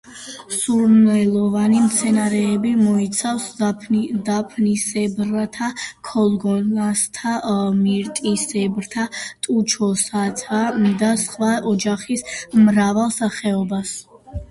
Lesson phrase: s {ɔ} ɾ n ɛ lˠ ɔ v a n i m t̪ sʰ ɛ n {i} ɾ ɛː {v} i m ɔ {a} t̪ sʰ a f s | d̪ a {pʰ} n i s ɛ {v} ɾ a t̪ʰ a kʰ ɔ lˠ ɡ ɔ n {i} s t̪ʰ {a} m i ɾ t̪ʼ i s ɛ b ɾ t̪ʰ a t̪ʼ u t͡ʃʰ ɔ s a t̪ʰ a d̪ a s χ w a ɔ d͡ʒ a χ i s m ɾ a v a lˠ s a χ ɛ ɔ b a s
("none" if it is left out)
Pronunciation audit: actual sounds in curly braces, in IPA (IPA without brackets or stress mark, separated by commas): u, a, b, i, pʰ, b, a, a